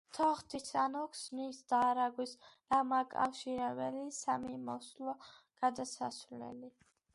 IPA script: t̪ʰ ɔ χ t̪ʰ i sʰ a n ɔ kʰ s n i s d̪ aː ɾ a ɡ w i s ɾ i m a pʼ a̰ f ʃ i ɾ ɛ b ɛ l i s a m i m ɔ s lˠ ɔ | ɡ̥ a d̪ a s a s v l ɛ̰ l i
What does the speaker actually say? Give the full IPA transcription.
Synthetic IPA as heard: t̪ʰ ɔ χ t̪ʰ i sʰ a n ɔ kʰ s n i s d̪ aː ɾ a ɡ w i s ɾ a m a kʼ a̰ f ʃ i ɾ ɛ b ɛ l i s a m i m ɔ s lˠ ɔ | ɡ̥ a d̪ a s a s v l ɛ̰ l i

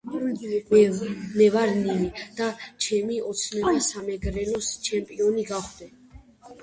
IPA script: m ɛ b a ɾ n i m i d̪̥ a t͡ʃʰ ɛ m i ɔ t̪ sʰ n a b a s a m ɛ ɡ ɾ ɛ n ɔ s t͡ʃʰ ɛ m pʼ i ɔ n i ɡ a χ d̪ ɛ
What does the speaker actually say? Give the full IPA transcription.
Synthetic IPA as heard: m ɛ v a ɾ n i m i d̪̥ a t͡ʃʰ ɛ m i ɔ t̪ sʰ n ɛ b a s a m ɛ ɡ ɾ ɛ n ɔ s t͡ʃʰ ɛ m pʼ i ɔ n i ɡ a χ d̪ ɛ

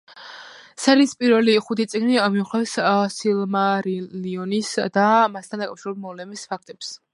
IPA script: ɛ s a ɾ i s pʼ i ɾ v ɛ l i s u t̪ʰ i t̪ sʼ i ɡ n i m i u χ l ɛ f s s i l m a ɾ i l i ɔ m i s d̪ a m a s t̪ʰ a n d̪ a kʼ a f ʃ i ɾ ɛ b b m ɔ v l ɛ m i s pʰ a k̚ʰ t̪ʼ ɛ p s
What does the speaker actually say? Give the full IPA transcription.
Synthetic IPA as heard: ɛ s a ɾ i s pʼ i ɾ v ɛ l i χ u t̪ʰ i t̪ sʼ i ɡ n i m i u χ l ɛ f s s i l m a ɾ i l i ɔ n i s d̪ a m a s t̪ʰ a n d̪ a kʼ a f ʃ i ɾ ɛ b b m ɔ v l ɛ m i s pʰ a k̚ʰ t̪ʼ ɛ p s

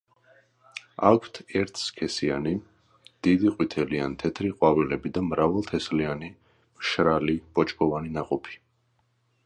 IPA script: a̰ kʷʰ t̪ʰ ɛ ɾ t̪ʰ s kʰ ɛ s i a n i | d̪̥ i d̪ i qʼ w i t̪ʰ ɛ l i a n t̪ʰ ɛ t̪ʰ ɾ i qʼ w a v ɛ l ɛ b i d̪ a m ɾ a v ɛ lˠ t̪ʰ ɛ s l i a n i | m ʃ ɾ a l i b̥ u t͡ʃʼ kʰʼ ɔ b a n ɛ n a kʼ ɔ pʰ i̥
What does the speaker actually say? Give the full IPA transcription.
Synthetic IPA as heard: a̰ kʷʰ t̪ʰ ɛ ɾ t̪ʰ s kʰ ɛ s i a n i | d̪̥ i d̪ i qʼ w i t̪ʰ ɛ l i a n t̪ʰ ɛ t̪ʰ ɾ i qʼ w a v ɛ l ɛ b i d̪ a m ɾ a v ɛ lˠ t̪ʰ ɛ s l i a n i | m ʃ ɾ a l i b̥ ɔ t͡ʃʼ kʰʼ ɔ v a n i n a qʼ ɔ pʰ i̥

